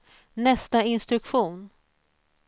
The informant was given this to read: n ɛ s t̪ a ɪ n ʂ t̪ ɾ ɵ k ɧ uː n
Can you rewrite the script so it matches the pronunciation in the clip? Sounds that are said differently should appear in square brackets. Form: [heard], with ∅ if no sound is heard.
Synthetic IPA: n ɛ s t̪ a ɪ n [s] t̪ ɾ ɵ k ɧ uː n